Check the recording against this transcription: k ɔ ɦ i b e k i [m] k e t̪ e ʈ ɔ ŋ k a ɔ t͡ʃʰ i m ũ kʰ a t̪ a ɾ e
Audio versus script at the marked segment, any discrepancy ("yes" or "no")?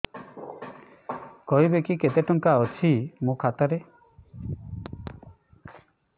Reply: yes